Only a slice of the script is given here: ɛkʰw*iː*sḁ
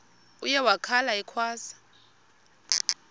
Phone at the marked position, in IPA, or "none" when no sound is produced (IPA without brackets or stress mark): aː